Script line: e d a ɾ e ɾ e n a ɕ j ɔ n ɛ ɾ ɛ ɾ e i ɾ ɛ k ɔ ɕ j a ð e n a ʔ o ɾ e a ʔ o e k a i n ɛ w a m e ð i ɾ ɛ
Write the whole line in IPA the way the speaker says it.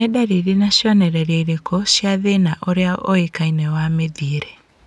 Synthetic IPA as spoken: e d a ɾ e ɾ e n a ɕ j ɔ n ɛ ɾ ɛ ɾ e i ɾ e k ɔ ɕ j a ð e n a ʔ o ɾ e a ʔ o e k a i n ɛ w a m e ð i ɾ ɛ